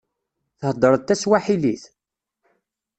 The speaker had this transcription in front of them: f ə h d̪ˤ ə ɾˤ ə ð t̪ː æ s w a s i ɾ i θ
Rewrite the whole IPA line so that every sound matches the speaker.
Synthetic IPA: θ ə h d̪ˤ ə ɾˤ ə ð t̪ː æ s w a ħ i l i θ